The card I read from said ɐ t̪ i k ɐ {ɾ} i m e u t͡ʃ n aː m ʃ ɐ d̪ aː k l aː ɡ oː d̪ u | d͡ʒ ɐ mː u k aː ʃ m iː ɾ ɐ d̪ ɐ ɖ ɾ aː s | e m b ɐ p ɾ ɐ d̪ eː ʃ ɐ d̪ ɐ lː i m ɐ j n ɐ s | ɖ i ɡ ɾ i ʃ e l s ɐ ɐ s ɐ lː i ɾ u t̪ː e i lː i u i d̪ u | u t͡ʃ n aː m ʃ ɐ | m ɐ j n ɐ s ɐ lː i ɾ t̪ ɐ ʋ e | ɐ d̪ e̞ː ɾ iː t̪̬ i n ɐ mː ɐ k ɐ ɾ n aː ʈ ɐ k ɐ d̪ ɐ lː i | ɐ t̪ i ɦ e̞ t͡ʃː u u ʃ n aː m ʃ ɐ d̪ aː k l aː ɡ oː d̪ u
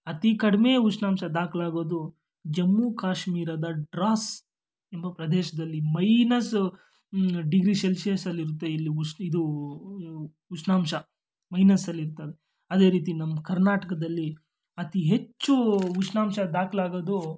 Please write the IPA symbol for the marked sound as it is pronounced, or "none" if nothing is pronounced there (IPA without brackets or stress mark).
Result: ɽ